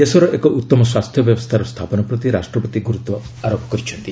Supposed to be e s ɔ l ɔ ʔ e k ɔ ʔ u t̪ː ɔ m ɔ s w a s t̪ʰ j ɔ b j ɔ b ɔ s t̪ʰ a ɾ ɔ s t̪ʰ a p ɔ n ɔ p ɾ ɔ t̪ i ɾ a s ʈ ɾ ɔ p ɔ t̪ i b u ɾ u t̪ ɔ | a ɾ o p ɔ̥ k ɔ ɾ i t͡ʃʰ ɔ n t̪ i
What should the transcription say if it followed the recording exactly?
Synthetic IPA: e s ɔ ɾ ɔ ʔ e k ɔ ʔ u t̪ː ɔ m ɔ s w a s t̪ʰ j ɔ b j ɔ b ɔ s t̪ʰ a ɾ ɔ s t̪ʰ a p ɔ n ɔ p ɾ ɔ t̪ i ɾ a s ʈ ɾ ɔ p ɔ t̪ i ɡ u ɾ u t̪ ɔ | a ɾ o p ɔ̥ k ɔ ɾ i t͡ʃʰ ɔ n t̪ i